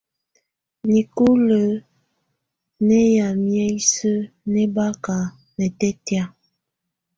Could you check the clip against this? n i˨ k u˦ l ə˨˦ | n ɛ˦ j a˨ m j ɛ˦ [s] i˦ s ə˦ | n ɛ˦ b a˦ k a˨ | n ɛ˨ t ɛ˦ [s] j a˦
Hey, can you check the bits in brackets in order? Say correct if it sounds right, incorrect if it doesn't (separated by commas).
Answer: incorrect, incorrect